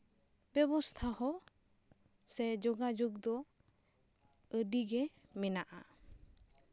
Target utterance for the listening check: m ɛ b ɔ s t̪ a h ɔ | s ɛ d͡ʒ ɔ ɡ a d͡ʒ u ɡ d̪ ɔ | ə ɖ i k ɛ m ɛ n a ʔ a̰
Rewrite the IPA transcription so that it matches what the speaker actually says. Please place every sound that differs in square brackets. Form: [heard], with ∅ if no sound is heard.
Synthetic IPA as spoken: [b] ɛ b ɔ s [t̪ʰ] a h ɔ | s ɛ d͡ʒ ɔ ɡ a d͡ʒ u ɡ d̪ ɔ | ə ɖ i [ɡ] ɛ m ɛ n a ʔ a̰